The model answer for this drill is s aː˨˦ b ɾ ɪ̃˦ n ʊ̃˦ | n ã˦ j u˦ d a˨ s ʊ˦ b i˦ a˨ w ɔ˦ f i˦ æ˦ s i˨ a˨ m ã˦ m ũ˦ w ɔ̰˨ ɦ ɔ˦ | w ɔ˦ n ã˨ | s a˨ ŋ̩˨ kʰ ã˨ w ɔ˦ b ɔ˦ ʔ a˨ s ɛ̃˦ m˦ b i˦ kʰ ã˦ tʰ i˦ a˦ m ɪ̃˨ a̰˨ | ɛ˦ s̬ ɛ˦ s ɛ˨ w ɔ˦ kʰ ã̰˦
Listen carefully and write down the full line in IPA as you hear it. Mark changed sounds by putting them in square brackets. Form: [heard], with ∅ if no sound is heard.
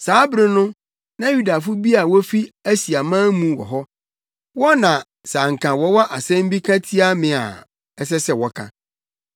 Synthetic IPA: s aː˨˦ b ɾ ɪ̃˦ n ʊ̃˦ | n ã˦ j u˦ d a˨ [f] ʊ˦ b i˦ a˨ w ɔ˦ f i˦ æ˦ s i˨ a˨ m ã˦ m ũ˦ w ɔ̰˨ ɦ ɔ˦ | w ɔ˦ n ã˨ | s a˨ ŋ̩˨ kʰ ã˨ w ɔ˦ [w] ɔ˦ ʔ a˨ s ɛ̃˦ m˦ b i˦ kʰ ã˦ tʰ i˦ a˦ m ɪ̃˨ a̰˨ | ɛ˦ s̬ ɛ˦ s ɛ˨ w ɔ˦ kʰ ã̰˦